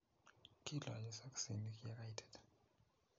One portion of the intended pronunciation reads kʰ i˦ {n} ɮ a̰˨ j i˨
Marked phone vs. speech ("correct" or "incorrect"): incorrect